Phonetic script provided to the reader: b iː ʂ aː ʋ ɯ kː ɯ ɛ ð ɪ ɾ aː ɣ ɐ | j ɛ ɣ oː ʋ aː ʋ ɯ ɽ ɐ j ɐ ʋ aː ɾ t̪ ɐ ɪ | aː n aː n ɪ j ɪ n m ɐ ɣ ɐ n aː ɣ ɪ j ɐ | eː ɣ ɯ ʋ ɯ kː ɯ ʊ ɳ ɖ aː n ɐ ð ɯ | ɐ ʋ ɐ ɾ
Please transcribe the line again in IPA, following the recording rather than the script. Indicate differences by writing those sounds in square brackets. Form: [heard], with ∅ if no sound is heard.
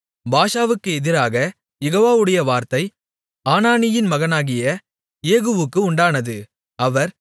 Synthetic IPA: b [aː] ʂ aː ʋ ɯ kː ɯ ɛ ð ɪ ɾ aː ɣ ɐ | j ɛ ɣ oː ʋ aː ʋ ɯ ɽ ɐ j ɐ ʋ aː ɾ t̪ ɐ ɪ | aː n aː n ɪ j ɪ n m ɐ ɣ ɐ n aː ɣ ɪ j ɐ | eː ɣ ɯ ʋ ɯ kː ɯ ʊ ɳ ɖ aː n ɐ ð ɯ | ɐ ʋ ɐ ɾ